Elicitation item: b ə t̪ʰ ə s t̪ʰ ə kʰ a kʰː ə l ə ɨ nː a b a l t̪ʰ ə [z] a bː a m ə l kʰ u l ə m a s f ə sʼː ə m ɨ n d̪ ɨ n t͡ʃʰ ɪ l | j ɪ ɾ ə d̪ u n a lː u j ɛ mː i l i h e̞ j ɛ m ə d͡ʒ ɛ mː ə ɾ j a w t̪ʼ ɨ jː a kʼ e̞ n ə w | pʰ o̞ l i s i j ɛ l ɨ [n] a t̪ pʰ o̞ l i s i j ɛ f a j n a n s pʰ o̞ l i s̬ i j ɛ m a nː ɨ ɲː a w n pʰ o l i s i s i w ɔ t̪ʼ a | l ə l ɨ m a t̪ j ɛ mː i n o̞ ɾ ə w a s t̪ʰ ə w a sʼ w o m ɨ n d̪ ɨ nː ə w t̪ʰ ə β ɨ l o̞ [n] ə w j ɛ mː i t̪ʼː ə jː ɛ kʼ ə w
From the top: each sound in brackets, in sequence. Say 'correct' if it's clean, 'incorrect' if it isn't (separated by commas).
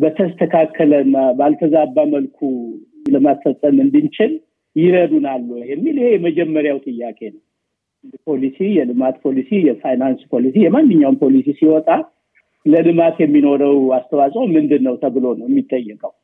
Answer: correct, incorrect, correct